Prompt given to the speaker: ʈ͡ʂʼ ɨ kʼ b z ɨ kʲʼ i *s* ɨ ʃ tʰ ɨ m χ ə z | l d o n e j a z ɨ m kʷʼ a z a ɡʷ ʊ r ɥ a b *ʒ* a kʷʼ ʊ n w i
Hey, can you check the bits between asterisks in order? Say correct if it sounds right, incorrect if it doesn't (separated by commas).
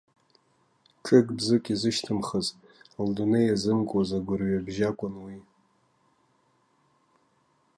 incorrect, correct